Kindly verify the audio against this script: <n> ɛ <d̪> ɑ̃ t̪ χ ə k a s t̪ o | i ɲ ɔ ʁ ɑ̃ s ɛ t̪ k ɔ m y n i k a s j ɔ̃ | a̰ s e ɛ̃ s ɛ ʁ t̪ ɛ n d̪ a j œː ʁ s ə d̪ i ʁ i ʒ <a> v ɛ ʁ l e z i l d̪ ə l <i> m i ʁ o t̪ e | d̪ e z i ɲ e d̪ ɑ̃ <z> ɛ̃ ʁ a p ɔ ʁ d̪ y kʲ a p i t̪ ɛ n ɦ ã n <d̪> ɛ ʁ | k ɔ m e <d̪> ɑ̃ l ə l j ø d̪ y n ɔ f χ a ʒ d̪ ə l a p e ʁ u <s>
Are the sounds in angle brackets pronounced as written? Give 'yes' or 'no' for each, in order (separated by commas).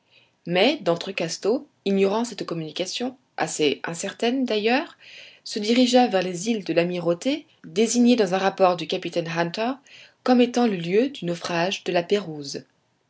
no, yes, yes, no, yes, no, no, no